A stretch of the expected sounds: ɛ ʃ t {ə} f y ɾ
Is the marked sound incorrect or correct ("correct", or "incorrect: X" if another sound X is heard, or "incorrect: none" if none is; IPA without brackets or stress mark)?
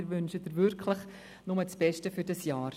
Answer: correct